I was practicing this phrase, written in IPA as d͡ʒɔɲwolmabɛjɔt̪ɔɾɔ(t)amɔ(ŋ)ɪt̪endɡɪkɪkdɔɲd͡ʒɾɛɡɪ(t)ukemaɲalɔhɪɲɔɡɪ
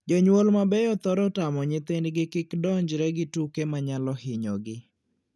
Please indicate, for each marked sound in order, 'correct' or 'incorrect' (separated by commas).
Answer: correct, incorrect, correct